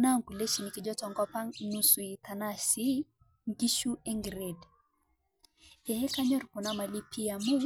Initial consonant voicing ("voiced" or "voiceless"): voiced